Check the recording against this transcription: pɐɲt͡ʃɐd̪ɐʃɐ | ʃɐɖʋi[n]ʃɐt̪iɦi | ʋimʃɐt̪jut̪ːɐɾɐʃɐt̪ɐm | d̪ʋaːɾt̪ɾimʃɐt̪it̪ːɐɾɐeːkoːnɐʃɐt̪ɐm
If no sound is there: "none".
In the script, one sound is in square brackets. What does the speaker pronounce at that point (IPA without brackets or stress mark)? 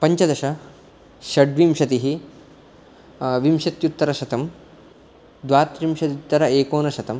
m